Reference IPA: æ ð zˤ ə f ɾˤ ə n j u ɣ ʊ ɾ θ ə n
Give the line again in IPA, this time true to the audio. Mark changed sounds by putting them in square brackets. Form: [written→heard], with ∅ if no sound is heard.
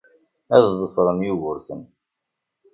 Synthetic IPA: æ ð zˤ ə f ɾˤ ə n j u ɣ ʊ ɾ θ ə n